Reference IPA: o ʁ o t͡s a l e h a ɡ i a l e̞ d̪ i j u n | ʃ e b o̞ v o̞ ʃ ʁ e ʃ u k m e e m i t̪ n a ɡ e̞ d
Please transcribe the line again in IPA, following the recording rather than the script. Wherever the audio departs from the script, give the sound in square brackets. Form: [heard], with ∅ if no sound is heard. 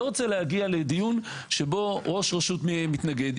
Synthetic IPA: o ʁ o t͡s [e] l e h a ɡ i a l e̞ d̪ i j u n | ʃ e b o̞ [ʁ] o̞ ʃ ʁ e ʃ u [t] m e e m i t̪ n a ɡ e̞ d

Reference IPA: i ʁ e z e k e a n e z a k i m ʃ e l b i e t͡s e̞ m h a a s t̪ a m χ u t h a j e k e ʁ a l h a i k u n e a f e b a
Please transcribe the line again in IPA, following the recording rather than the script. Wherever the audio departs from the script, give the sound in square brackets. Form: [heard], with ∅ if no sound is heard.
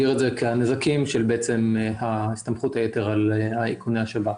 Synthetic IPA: i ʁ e z e k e a n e z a k i m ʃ e l b [e] e t͡s e̞ m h a [i] s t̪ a m χ u t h a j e [t] e ʁ a l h a i k u n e a [ʃ] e b a

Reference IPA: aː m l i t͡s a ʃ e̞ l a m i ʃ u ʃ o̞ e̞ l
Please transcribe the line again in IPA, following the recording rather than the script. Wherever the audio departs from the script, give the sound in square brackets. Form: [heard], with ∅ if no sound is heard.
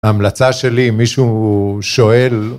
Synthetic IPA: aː m l [a] t͡s a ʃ e̞ l [i] m i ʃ u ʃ o̞ e̞ l

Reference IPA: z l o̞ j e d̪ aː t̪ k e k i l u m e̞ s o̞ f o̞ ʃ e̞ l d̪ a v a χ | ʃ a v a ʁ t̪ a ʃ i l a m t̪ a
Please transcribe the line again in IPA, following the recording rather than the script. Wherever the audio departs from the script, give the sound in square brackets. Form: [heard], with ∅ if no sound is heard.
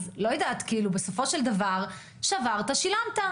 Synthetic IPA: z l o̞ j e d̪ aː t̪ k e [∅] i l u [b] e̞ s o̞ f o̞ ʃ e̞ l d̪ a v a [ʁ] | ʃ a v a ʁ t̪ a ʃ i l a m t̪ a

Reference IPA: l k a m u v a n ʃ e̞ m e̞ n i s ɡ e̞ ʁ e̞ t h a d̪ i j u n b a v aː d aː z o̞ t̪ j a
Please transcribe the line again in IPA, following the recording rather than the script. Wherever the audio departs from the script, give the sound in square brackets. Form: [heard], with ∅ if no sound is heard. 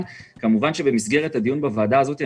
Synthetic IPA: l k a m u v a n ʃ e̞ [b] e̞ [m] i s ɡ e̞ ʁ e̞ t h a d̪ i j u n b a v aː d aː z o̞ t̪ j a

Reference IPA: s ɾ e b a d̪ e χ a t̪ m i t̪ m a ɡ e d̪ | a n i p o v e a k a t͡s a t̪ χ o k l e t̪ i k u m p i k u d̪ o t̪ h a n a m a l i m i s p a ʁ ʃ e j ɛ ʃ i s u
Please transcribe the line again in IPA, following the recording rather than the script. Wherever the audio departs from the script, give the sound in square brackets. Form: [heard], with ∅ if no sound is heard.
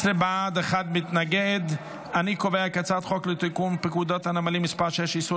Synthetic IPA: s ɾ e b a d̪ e χ a [d̪] m i t̪ [n] a ɡ e d̪ | a n i [k] o v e a k a t͡s a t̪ χ o k l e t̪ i k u m p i k u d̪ o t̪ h a n a m a l i m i s p a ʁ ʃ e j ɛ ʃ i s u

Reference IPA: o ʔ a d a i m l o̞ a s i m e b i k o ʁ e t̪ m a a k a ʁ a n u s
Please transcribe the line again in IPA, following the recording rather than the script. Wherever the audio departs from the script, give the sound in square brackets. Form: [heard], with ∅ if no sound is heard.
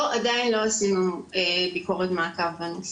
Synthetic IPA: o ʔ a d a i [n] l o̞ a s i m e b i k o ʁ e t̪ m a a k a [v] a n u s

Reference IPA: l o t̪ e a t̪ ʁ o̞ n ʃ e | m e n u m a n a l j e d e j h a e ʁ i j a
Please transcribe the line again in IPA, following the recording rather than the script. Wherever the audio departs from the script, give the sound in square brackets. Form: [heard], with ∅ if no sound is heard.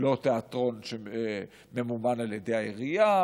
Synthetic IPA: l o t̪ e a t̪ ʁ o̞ n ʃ e | m e [m] u m a n a l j e d e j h a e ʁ i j a

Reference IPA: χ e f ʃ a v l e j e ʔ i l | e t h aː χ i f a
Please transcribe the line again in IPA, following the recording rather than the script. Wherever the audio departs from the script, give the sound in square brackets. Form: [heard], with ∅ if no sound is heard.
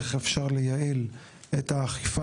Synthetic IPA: χ e f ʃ a [ʁ] l e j [a] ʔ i l | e t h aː χ i f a

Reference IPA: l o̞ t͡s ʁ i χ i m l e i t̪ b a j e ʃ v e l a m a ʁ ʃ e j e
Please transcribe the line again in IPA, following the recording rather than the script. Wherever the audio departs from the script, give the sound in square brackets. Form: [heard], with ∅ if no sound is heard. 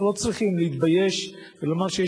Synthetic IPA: l o̞ t͡s ʁ i χ i m l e i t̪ b a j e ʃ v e l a m a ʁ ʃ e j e

